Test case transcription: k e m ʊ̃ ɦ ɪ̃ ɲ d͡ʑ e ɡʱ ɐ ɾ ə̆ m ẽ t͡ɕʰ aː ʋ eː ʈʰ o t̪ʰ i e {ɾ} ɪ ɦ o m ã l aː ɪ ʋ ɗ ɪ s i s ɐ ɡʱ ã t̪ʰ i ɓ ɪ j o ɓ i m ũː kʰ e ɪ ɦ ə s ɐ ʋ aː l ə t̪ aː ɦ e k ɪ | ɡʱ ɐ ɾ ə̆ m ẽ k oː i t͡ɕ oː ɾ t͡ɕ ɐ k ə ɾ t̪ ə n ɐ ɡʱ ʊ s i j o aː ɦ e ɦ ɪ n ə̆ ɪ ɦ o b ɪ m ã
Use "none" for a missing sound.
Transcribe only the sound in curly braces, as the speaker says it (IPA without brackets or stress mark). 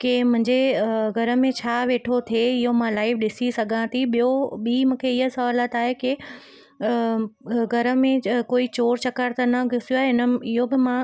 none